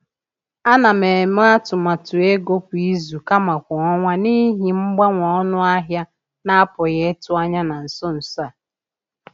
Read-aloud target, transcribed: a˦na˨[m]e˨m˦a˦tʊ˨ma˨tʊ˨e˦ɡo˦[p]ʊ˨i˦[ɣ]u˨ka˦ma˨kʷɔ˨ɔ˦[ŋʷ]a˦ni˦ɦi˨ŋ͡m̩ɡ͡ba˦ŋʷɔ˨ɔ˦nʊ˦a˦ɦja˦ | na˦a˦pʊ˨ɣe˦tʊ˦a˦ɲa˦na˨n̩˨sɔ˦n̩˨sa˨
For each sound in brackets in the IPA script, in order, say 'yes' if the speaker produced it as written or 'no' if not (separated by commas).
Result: yes, yes, no, yes